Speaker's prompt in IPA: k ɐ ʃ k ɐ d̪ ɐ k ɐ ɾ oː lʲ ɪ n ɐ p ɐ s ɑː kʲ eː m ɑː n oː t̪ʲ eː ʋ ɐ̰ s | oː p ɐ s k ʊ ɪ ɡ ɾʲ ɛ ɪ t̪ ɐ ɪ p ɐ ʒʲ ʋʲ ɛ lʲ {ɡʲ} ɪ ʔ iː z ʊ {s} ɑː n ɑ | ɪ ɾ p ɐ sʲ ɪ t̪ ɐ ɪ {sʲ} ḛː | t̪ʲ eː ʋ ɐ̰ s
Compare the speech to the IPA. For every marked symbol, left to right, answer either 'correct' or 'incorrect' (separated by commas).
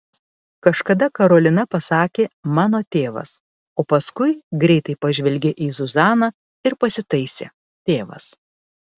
correct, incorrect, correct